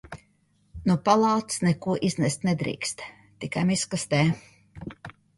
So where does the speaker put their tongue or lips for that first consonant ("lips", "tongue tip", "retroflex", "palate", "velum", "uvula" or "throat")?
tongue tip